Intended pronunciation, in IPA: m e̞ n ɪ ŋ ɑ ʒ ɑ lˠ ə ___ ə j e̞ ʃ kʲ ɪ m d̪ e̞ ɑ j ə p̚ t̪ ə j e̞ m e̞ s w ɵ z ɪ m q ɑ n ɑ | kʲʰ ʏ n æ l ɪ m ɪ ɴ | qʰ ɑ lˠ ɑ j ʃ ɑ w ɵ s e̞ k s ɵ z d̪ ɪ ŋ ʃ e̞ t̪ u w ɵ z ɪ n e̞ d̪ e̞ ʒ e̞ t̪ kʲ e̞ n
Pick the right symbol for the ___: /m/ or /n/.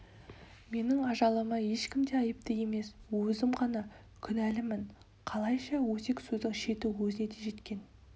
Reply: m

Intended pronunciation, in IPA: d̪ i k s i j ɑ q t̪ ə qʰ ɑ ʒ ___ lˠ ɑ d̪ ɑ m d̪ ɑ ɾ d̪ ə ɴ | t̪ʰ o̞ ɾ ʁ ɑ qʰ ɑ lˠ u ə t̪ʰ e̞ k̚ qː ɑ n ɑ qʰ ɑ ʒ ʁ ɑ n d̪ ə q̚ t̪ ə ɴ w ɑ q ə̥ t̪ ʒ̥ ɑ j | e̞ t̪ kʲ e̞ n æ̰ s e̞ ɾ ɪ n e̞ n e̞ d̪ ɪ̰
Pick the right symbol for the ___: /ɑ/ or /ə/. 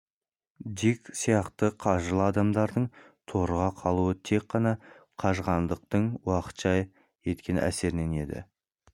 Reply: ə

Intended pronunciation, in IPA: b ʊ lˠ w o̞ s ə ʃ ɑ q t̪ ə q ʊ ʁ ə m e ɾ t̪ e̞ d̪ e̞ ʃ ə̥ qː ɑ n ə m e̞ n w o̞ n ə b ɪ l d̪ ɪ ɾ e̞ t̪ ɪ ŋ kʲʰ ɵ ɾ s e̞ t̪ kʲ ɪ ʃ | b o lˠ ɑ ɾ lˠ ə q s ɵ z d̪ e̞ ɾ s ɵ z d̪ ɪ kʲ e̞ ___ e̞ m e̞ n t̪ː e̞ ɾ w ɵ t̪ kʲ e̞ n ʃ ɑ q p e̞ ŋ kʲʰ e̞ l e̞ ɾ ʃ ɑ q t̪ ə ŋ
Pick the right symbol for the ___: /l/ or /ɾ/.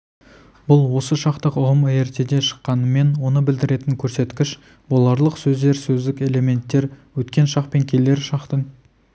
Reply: l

